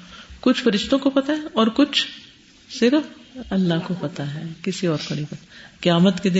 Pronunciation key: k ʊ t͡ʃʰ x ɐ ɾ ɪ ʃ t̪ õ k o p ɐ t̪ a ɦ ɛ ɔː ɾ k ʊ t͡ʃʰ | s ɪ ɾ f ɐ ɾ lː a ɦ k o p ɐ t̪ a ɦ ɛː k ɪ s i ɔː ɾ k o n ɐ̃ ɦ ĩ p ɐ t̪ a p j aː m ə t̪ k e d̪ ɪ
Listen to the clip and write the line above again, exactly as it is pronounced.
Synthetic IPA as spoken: k ʊ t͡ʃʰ f ɐ ɾ ɪ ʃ t̪ õ k o p ɐ t̪ a ɦ ɛ ɔː ɾ k ʊ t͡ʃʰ | s ɪ ɾ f ɐ lː a ɦ k o p ɐ t̪ a ɦ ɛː k ɪ s i ɔː ɾ k o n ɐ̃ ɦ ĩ p ɐ t̪ a k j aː m ə t̪ k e d̪ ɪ